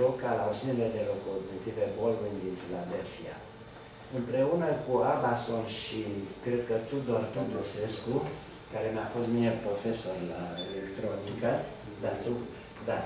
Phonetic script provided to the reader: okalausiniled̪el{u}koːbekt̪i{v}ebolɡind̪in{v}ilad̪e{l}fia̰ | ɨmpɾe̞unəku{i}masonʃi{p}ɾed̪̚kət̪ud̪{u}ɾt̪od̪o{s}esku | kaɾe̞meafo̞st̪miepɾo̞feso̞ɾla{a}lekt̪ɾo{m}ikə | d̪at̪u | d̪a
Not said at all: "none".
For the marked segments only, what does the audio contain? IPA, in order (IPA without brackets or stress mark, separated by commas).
o, v, f, l, a, k, o, s, e, n